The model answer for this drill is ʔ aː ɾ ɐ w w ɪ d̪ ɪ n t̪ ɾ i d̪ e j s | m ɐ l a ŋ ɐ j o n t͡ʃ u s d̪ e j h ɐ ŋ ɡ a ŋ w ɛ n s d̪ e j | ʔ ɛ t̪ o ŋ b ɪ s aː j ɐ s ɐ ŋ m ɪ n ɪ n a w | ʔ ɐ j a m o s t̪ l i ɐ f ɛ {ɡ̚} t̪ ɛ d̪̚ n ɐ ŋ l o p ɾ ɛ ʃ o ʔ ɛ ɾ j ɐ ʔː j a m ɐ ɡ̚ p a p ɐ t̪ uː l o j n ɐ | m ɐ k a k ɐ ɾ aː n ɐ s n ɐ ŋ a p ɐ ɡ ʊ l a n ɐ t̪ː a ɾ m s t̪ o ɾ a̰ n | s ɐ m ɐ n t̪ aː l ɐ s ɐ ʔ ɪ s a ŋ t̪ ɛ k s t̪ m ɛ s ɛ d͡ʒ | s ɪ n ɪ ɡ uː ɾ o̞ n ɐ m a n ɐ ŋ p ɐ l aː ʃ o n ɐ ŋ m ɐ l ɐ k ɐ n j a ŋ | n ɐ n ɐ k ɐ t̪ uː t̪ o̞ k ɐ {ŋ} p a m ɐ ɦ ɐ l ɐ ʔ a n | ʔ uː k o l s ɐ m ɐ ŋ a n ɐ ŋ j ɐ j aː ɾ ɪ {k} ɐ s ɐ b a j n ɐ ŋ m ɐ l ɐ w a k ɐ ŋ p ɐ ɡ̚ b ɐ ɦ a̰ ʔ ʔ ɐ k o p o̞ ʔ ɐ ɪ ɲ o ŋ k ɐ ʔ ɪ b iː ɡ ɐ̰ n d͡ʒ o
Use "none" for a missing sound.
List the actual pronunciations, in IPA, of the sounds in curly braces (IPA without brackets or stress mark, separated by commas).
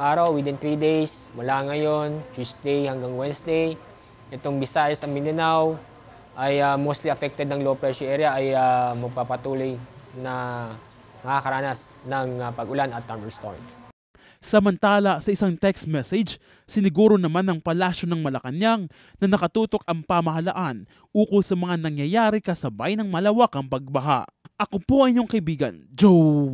k̚, ŋ, k